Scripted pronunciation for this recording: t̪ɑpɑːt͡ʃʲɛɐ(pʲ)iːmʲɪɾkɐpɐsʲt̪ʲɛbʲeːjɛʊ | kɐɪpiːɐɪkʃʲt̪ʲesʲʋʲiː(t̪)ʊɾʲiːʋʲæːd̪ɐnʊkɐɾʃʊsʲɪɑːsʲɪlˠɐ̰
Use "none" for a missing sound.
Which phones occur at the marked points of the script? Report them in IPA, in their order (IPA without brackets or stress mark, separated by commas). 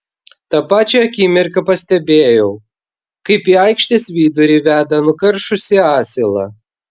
kʲ, d̪